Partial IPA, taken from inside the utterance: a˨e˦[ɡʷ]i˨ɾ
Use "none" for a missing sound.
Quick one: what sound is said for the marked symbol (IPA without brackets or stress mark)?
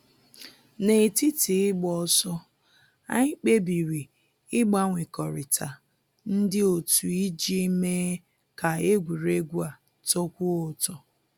ɡʷ